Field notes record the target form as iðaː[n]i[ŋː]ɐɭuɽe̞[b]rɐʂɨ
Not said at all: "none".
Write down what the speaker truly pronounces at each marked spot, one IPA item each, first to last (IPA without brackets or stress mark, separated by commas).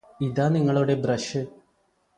n, ŋː, b